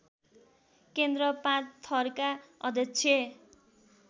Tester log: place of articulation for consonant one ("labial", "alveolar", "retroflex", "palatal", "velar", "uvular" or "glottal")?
velar